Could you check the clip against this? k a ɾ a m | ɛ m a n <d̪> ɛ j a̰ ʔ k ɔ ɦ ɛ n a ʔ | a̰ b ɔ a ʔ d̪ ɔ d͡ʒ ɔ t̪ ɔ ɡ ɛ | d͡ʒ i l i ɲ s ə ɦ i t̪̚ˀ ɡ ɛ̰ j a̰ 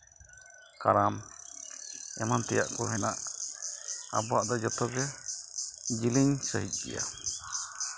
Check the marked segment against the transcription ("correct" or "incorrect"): incorrect